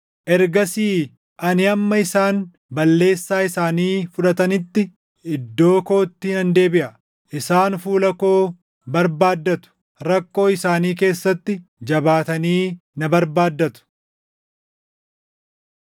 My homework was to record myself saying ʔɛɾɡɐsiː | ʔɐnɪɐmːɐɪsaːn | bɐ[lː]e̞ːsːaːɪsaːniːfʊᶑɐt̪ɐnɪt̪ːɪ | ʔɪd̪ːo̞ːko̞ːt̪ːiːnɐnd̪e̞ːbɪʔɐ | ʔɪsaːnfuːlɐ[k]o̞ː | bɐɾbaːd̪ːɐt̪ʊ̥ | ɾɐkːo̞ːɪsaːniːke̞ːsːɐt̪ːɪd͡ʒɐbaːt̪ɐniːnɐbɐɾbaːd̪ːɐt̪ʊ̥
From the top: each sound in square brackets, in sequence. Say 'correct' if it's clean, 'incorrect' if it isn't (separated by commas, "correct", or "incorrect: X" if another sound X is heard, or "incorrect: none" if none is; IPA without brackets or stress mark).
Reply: correct, correct